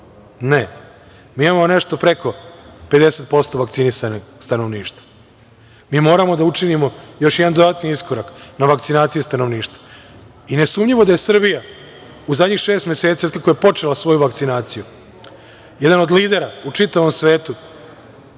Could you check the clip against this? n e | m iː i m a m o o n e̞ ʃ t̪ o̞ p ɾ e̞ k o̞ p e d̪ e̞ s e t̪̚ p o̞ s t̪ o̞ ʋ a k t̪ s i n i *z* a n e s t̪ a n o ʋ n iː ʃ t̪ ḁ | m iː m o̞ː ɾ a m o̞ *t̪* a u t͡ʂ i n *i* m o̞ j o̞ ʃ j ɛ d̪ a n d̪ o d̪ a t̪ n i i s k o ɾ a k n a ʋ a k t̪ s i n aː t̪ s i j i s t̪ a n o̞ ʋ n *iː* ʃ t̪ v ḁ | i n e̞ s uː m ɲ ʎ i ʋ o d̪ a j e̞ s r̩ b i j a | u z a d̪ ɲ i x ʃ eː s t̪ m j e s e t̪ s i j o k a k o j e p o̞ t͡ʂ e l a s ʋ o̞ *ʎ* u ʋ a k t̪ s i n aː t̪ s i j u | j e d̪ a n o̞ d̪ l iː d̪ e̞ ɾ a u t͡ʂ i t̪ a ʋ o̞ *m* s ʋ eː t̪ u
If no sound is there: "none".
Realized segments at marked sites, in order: s, d̪, i, iː, j, m

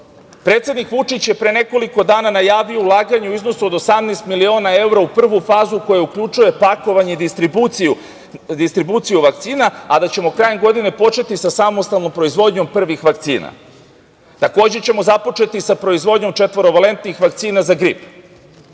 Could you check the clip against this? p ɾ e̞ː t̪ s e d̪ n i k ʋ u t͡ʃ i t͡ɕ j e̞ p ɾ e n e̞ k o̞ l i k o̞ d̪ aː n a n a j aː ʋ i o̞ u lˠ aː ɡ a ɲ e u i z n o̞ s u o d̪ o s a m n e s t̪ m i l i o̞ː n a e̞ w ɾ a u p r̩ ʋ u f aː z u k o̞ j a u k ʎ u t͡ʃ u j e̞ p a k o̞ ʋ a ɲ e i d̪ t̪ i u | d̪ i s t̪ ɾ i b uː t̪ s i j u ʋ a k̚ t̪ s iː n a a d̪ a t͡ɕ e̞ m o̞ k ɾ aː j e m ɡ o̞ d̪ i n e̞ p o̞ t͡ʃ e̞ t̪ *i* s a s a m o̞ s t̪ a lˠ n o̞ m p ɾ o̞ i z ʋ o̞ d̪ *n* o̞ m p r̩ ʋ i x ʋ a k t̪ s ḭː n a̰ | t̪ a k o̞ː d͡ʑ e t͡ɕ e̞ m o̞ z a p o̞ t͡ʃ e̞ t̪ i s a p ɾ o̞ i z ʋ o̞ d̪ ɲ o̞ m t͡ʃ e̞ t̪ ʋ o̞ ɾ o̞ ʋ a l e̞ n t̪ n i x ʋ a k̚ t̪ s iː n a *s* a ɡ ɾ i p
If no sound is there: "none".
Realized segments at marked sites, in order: i, ɲ, z

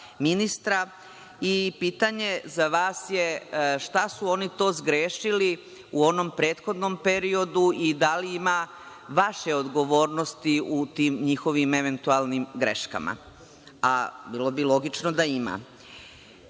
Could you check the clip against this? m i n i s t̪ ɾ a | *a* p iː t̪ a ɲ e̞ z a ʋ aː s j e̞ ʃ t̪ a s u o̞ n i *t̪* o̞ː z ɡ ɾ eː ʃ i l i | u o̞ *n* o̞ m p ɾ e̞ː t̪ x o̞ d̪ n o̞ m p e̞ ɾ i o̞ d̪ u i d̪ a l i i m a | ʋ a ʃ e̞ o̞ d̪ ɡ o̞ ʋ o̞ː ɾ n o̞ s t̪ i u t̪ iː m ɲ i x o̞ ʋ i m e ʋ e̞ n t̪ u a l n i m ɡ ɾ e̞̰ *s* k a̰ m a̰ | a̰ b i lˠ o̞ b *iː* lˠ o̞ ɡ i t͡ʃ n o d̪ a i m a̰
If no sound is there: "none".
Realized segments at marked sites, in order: i, t̪, n, ʃ, i

